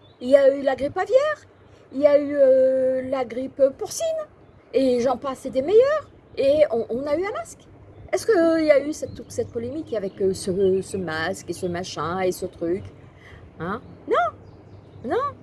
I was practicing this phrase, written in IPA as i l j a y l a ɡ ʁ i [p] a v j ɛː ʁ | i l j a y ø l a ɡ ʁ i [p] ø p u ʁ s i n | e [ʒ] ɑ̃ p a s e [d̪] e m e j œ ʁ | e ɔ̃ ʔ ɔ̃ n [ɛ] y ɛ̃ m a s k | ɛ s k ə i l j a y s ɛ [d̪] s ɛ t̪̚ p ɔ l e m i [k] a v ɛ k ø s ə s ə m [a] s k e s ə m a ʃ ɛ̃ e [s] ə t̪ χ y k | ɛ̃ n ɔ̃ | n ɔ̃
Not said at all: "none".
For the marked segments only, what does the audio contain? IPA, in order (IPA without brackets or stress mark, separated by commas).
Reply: p, p, ʒ, d̪, a, t̪, k, a, s